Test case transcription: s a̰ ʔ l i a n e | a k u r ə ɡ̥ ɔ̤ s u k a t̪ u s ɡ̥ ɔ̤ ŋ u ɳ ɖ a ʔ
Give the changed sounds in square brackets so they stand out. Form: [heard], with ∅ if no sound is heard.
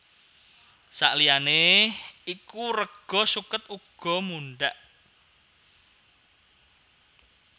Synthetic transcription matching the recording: s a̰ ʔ l i a n e | [i] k u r ə ɡ̥ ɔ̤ s u k [ə] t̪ u [∅] ɡ̥ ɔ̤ [m] u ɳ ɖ a ʔ